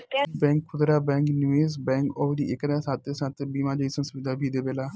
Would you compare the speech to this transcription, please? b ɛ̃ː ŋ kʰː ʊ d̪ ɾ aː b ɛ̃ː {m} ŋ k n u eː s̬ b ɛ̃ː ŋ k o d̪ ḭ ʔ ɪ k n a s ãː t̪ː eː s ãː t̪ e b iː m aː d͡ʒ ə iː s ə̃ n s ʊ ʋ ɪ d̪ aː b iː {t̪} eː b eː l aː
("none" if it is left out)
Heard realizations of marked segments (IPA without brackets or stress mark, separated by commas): none, d̪